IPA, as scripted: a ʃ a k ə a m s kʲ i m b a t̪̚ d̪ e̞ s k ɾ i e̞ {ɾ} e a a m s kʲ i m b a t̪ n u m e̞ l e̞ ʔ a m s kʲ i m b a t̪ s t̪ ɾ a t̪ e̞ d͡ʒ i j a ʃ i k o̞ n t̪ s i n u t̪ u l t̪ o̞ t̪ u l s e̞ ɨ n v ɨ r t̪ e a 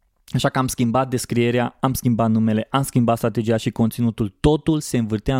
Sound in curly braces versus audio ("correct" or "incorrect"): correct